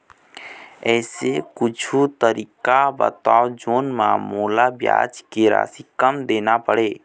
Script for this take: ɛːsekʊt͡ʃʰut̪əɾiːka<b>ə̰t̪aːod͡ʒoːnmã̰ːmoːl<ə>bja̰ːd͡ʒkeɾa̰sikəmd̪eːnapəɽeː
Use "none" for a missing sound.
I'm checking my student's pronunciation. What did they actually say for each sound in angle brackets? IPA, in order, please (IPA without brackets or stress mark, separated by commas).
b, a